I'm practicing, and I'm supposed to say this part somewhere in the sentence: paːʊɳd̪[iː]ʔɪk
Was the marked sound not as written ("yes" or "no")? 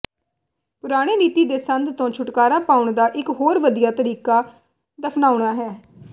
yes